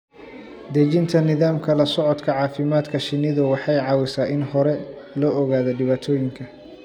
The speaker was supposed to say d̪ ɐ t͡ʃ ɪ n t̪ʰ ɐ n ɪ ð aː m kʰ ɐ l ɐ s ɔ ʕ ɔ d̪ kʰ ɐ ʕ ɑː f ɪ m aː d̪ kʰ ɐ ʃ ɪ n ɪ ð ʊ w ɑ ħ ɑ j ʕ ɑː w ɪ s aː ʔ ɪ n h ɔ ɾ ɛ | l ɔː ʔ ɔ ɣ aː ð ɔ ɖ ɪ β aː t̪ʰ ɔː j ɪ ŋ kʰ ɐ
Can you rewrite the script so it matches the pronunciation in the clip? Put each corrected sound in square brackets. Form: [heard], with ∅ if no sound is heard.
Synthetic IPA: d̪ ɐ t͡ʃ ɪ n t̪ʰ ɐ n ɪ ð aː m kʰ ɐ l ɐ s ɔ ʕ ɔ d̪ kʰ ɐ ʕ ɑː f ɪ m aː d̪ kʰ ɐ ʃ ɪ n ɪ ð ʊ w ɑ ħ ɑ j ʕ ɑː w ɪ s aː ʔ ɪ n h ɔ ɾ ɛ | l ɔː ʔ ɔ ɣ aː ð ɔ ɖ ɪ β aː t̪ʰ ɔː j ɪ ŋ kʰ ɐ